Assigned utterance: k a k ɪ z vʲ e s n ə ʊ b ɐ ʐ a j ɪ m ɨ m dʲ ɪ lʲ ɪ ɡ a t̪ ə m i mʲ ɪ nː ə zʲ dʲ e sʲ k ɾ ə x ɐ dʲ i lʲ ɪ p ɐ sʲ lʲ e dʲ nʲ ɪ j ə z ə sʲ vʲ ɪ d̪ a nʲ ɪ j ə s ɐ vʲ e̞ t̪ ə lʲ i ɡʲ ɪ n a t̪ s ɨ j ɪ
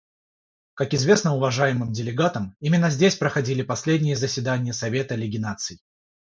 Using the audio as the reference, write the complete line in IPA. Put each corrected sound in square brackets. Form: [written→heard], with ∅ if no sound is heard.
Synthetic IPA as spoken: k a k ɪ z vʲ e s n ə ʊ [b→v] ɐ ʐ a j ɪ m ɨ m dʲ ɪ lʲ ɪ ɡ a t̪ ə m i mʲ ɪ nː ə zʲ dʲ e sʲ [k→p] ɾ ə x ɐ dʲ i lʲ ɪ p ɐ sʲ lʲ e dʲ nʲ ɪ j ə z ə sʲ vʲ ɪ d̪ a nʲ ɪ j ə s ɐ vʲ e̞ t̪ ə lʲ [i→ɪ] ɡʲ ɪ n a t̪ s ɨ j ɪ